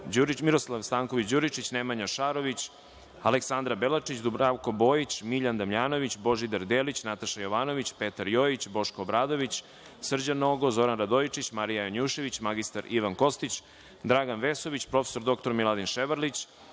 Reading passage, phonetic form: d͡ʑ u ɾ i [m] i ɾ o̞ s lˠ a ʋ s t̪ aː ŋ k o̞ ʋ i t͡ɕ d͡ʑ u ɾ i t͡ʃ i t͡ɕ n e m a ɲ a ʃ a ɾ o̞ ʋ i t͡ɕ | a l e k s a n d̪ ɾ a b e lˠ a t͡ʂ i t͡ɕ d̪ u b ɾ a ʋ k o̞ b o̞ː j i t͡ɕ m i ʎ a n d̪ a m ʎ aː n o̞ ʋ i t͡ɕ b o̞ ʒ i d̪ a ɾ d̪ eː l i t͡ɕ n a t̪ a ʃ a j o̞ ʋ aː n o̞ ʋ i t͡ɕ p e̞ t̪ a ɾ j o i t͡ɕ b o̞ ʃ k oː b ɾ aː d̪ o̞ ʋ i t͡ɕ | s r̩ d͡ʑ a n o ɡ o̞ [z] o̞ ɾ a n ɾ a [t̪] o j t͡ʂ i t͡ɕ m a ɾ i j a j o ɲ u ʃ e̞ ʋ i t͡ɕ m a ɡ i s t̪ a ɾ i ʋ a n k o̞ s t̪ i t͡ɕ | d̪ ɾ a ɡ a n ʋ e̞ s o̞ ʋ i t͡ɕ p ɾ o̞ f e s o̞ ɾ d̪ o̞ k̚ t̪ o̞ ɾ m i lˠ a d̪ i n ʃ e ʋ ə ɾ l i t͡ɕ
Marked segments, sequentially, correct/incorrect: correct, correct, incorrect: d̪

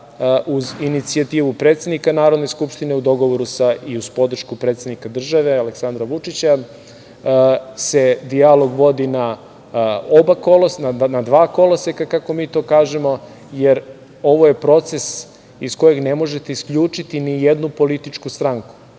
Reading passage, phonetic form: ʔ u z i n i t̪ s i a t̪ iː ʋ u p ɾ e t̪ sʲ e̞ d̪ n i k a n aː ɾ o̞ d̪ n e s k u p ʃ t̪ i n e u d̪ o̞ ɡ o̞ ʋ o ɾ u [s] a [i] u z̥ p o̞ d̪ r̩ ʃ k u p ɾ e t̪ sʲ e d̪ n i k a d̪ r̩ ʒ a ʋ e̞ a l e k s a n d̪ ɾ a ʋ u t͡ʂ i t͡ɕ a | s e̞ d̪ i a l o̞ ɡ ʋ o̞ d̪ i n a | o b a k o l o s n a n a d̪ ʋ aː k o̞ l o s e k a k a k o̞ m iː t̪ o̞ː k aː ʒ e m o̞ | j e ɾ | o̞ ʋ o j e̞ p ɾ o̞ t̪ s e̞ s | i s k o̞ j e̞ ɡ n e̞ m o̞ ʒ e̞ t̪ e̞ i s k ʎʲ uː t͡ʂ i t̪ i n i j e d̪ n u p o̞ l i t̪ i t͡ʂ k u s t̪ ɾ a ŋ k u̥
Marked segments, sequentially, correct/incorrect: correct, correct

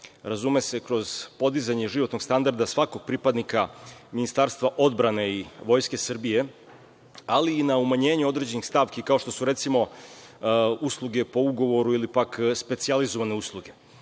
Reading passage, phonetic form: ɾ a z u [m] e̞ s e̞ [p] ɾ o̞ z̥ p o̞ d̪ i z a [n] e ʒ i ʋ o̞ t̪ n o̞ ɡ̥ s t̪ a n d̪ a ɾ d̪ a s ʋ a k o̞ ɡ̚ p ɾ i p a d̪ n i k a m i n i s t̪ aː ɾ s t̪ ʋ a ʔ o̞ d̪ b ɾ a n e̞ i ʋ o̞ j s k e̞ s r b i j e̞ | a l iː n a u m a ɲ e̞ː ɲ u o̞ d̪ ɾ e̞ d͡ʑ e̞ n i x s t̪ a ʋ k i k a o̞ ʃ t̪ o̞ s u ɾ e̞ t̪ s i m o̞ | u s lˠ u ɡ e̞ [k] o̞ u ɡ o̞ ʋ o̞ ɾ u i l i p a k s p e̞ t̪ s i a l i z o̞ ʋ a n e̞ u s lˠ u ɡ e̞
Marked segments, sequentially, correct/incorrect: correct, incorrect: k, incorrect: ɲ, incorrect: p

